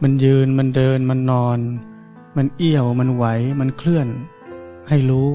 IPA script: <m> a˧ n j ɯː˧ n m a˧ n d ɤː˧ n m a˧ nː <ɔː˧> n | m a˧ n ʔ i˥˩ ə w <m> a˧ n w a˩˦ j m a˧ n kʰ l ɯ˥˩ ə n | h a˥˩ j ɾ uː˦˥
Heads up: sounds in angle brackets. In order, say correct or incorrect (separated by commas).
correct, correct, correct